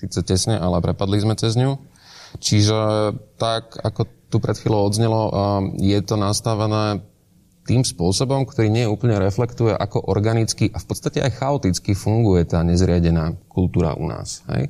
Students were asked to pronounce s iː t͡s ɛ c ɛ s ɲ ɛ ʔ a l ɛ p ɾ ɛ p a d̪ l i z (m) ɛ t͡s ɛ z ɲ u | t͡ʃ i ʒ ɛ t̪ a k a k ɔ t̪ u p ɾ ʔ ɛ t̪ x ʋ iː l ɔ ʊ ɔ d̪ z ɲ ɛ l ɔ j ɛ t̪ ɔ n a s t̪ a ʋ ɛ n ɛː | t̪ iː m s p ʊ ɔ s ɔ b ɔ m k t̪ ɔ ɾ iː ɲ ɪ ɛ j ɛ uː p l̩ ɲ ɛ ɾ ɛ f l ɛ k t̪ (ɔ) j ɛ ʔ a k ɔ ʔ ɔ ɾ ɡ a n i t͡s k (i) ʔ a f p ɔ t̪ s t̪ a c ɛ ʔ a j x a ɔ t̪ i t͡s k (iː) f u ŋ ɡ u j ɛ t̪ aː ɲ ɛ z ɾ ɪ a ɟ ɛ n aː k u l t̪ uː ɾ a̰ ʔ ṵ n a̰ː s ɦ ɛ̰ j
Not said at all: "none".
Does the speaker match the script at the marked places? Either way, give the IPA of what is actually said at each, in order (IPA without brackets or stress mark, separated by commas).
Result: m, u, i, i